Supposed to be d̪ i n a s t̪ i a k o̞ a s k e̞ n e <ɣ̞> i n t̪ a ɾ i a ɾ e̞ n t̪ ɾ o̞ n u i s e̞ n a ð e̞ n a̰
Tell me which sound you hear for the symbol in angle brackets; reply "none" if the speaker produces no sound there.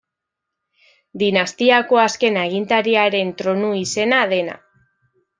ɣ̞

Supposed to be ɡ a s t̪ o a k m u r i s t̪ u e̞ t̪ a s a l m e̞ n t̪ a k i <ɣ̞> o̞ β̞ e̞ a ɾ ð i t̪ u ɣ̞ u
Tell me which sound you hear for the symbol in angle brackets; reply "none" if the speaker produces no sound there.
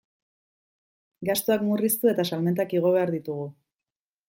ɣ̞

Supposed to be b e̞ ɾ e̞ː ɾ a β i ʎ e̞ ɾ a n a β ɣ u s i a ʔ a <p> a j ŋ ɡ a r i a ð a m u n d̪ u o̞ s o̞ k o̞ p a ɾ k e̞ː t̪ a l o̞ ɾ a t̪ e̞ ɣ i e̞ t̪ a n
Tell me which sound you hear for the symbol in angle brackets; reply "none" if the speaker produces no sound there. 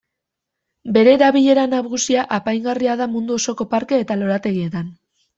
p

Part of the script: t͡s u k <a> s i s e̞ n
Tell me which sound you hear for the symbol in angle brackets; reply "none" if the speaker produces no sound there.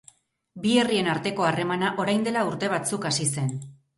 a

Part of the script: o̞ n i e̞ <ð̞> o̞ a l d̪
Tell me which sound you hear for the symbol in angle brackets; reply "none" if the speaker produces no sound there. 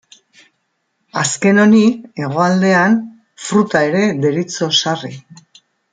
ɣ̞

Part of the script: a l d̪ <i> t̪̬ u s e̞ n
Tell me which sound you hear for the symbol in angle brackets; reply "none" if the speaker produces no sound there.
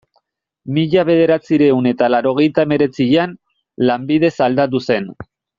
a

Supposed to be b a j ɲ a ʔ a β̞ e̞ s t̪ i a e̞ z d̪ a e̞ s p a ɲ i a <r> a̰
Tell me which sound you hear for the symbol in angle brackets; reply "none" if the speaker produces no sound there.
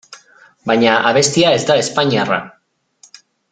r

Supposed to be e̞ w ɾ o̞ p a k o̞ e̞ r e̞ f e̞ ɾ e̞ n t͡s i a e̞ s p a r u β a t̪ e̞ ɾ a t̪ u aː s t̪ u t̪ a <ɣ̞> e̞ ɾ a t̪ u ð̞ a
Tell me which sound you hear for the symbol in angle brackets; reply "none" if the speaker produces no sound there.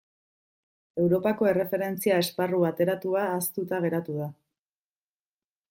ɣ̞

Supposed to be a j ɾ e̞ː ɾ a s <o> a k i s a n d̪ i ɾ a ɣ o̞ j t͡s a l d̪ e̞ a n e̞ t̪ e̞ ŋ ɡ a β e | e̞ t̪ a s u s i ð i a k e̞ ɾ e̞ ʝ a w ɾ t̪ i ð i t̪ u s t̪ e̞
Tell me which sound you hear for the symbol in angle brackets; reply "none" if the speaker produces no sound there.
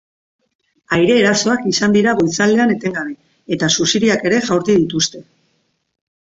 o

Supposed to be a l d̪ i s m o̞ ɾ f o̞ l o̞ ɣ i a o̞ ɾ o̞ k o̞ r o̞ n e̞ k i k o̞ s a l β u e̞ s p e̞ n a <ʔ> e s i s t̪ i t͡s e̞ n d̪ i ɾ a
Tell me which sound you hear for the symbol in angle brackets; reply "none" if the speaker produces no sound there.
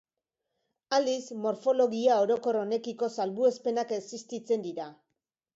k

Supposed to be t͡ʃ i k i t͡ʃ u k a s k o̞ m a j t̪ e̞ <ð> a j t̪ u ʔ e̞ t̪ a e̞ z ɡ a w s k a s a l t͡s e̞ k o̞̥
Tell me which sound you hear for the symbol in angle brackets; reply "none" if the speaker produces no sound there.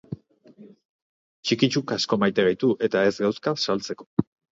ɣ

